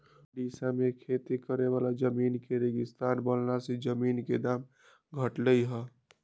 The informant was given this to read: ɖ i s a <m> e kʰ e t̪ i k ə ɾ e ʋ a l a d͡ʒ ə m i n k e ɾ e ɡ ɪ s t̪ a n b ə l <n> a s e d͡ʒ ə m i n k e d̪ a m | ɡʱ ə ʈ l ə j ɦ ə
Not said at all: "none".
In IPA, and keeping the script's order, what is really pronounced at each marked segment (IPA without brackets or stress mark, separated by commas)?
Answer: m, n